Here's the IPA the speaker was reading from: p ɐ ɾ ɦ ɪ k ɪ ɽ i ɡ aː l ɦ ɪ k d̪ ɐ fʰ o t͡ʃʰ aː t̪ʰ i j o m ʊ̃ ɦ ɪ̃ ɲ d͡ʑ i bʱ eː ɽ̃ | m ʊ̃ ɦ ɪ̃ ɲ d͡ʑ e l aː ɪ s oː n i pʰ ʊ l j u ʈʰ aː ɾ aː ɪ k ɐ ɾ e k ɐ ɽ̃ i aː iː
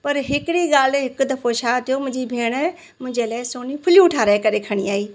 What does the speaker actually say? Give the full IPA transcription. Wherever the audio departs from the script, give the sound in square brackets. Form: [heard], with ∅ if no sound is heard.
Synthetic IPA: p ɐ ɾ ɦ ɪ k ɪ ɽ i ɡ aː l ɦ ɪ k d̪ ɐ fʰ o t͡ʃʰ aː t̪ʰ i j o m ʊ̃ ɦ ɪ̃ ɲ d͡ʑ i bʱ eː ɽ̃ | m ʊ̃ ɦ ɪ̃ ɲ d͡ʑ e l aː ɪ s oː n i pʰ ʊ l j u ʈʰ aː ɾ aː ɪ k ɐ ɾ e [kʰ] ɐ ɽ̃ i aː iː